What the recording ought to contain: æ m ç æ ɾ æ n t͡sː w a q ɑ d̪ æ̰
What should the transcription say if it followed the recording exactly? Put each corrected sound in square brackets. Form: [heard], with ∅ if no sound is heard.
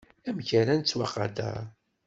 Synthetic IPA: æ m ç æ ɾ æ n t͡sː w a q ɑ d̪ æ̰

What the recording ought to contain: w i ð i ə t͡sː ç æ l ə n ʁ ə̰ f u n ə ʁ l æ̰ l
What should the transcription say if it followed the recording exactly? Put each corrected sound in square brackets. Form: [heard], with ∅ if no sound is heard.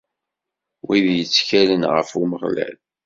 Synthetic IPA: w i ð [j] ə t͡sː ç æ l ə n ʁ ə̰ f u [m] ə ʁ l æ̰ l

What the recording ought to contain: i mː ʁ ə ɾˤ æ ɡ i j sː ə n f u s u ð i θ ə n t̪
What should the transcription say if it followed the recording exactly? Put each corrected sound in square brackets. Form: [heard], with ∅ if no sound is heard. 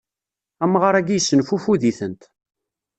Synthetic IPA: [æ] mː ʁ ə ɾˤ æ ɡ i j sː ə n f u [f] u ð i θ ə n t̪

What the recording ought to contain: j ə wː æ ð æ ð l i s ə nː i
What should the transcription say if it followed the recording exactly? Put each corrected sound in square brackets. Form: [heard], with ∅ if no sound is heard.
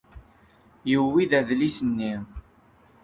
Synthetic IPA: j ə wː [i] ð æ ð l i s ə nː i

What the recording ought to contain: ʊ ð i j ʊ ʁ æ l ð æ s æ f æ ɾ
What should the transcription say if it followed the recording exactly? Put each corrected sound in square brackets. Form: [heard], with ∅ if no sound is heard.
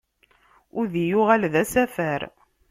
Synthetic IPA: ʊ ð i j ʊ ʁ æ l ð æ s æ f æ ɾ

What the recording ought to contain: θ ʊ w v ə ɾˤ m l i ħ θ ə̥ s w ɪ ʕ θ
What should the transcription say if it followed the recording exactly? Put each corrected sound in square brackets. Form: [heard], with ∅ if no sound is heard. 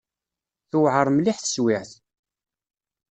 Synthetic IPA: θ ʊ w [ʕ] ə ɾˤ m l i ħ θ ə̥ s w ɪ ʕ θ

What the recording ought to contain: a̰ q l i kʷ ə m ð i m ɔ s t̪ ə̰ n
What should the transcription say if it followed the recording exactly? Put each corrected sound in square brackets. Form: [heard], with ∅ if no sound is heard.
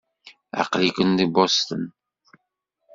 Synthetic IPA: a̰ q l i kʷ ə [n] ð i [b] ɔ s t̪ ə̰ n

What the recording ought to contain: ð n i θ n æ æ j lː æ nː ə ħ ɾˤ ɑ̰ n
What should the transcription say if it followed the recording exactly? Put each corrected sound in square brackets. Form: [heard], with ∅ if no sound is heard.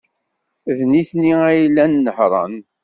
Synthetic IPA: ð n i θ n [i] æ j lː æ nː ə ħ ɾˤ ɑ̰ n

